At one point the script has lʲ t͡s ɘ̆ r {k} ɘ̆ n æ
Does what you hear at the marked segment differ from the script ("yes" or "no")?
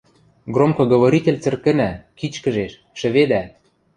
no